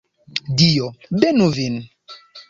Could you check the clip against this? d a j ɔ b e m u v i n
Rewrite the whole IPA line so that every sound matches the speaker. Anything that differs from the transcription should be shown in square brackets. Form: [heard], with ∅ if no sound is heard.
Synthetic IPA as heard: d [i] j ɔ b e [n] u v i n

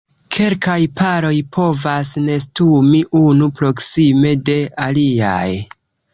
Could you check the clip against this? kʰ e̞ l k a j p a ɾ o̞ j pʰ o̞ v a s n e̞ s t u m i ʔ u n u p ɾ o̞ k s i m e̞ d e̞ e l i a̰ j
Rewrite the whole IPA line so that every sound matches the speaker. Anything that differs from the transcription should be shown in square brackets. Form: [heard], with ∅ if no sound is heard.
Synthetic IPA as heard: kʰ e̞ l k a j p a ɾ o̞ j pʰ o̞ v a s n e̞ s t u m i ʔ u n u p ɾ o̞ k s i m e̞ d e̞ [a] l i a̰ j

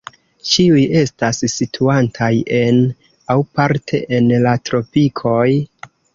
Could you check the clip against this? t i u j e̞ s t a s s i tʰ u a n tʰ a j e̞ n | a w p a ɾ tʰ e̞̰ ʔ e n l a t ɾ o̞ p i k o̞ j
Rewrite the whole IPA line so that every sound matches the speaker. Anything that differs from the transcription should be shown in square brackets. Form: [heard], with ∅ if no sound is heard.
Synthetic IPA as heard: [t͡ʃ] i u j e̞ s t a s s i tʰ u a n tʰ a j e̞ n | a w p a ɾ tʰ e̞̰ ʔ e n l a t ɾ o̞ p i [kʰ] o̞ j

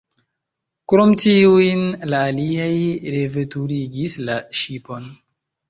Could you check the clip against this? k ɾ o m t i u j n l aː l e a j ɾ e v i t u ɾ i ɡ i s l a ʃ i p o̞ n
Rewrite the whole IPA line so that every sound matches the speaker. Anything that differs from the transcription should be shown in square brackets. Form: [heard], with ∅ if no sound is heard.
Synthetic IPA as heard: k ɾ o m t i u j n l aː l [i] a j ɾ e v [e] t u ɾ i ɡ i s l a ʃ i p o̞ n

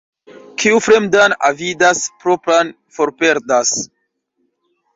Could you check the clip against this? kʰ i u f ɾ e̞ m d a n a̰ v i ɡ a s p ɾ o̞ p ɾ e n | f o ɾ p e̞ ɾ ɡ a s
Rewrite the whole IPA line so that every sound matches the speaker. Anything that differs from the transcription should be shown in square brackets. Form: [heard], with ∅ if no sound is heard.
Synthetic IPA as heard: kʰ i u f ɾ e̞ m d a n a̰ v i [d] a s p ɾ o̞ p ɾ [a] n | f o ɾ p e̞ ɾ [d] a s

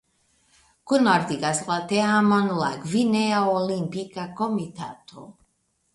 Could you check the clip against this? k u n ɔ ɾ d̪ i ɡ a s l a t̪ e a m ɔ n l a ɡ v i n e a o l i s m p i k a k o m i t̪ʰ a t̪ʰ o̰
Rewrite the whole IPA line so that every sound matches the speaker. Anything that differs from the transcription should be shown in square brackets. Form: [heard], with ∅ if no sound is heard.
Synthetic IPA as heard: k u n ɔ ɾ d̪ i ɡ a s l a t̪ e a m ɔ n l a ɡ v i n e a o l i [∅] m p i k a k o m i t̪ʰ a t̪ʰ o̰

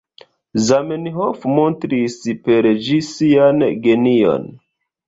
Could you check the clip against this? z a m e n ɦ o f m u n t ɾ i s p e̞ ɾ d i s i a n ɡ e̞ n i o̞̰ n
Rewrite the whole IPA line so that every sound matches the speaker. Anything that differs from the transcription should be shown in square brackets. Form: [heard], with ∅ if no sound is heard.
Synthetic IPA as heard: z a m e n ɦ o f m [o] n t ɾ i s p e̞ ɾ [d͡ʒ] i s i a n ɡ e̞ n i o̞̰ n

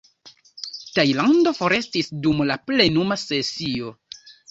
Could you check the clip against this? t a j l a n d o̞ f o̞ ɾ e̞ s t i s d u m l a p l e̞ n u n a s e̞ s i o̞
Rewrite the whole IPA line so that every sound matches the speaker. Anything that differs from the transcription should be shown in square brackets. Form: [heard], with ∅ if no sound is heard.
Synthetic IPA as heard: t a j l a n d o̞ f o̞ ɾ e̞ s t i s d u m l a p l e̞ n u [m] a s e̞ s i o̞

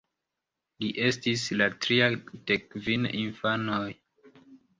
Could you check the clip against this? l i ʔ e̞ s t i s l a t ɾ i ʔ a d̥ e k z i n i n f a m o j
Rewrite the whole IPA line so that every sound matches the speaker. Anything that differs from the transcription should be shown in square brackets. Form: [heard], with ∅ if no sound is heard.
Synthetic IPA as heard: l i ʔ e̞ s t i s l a t ɾ i [∅] a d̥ e k [v] i n i n f a [n] o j

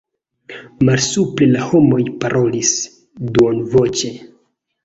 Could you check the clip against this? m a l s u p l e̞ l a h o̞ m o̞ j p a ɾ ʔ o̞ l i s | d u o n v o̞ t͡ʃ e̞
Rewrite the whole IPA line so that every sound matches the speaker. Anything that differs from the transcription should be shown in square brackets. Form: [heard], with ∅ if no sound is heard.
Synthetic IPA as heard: m a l s u p l e̞ l a h o̞ m o̞ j p a ɾ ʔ o̞ l i s | d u o n v o̞ t͡ʃ e̞

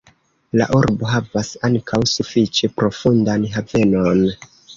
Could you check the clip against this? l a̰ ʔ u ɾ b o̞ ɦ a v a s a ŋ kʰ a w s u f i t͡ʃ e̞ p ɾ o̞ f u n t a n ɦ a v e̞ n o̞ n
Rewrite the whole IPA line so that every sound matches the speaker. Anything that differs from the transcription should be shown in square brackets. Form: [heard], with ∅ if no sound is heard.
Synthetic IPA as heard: l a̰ ʔ u ɾ b o̞ ɦ a v a s a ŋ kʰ a w s u f i t͡ʃ e̞ p ɾ o̞ f u n [d] a n ɦ a v e̞ n o̞ n

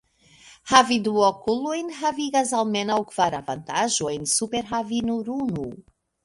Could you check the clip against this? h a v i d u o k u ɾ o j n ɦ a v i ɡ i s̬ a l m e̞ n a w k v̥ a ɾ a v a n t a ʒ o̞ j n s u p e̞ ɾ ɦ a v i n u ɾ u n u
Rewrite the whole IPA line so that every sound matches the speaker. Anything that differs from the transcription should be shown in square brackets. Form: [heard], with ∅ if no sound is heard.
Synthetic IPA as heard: h a v i d u o k u [l] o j n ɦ a v i ɡ [a] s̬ a l m e̞ n a w k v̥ a ɾ a v a n t a ʒ o̞ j n s u p e̞ ɾ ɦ a v i n u ɾ u n u

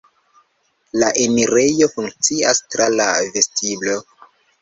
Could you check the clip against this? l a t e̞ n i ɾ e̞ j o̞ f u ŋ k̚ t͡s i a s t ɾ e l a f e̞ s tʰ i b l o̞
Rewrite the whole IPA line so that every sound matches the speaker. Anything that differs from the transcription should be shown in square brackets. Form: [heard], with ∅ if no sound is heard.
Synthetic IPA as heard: l a [ʔ] e̞ [m] i ɾ e̞ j o̞ f u ŋ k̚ t͡s i a s t ɾ [a] l a [v] e̞ s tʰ i b l o̞

